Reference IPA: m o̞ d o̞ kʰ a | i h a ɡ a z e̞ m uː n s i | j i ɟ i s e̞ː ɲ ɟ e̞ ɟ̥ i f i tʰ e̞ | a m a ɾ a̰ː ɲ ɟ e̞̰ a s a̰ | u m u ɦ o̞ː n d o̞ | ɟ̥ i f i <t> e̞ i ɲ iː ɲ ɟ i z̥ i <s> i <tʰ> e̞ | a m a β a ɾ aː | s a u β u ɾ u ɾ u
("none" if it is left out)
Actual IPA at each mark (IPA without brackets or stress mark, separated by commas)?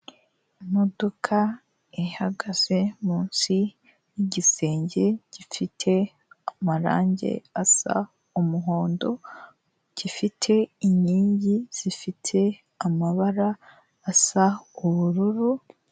tʰ, f, tʰ